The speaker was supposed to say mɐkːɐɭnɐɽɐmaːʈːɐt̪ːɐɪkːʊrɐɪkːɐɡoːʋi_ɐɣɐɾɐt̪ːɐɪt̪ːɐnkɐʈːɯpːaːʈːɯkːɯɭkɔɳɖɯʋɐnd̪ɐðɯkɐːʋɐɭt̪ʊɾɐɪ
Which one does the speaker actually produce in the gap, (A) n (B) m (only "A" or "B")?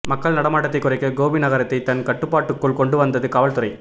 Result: A